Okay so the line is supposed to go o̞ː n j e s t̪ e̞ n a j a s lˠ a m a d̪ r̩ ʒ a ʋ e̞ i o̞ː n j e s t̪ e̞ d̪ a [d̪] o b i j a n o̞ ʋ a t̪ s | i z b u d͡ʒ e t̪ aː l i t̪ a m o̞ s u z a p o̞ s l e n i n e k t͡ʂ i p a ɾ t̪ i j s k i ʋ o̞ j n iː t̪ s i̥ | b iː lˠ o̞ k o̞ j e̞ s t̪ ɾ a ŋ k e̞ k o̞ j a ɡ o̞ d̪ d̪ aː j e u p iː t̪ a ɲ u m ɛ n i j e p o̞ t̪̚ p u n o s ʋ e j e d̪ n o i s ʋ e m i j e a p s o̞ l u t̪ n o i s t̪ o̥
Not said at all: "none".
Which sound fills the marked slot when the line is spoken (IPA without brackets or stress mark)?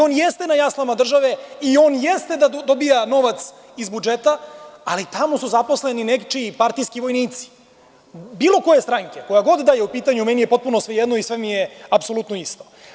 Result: d̪